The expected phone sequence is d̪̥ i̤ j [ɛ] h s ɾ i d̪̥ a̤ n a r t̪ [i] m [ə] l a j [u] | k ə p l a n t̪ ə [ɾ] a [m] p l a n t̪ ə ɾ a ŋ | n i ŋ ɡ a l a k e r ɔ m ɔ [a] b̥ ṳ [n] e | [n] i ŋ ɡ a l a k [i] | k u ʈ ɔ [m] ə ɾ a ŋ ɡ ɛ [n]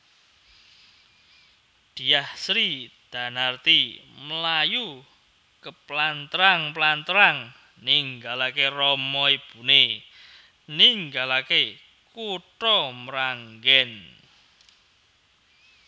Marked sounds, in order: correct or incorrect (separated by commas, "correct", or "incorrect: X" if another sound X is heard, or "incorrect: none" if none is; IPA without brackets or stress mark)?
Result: incorrect: a, correct, correct, correct, correct, incorrect: ŋ, incorrect: i, correct, correct, incorrect: e, correct, correct